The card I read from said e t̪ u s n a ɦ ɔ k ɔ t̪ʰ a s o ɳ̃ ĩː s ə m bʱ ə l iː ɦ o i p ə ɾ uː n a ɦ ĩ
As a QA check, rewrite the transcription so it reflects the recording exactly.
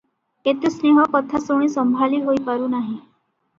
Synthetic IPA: e t̪ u s n e ɦ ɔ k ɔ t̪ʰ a s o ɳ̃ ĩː s ə m bʱ a l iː ɦ o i p a ɾ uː n a ɦ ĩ